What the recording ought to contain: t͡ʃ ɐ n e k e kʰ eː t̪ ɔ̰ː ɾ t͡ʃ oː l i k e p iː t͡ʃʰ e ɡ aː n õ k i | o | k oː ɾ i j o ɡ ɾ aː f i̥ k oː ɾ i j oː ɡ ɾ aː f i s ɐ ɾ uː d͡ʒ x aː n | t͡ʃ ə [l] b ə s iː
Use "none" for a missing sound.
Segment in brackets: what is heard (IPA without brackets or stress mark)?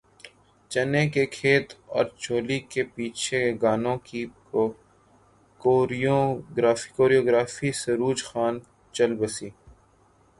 l